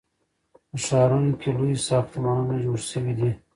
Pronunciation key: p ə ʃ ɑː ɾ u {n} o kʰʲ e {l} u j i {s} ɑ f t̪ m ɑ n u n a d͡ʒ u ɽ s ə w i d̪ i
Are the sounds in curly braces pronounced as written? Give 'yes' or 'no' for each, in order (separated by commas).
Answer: yes, yes, yes